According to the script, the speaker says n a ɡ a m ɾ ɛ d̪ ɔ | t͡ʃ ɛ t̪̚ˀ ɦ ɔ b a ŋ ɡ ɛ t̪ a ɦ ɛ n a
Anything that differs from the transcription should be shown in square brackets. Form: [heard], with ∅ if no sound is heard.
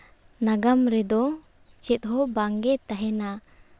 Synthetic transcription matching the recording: n a ɡ a m ɾ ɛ d̪ ɔ | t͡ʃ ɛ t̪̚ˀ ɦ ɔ b a ŋ ɡ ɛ t̪ a ɦ ɛ n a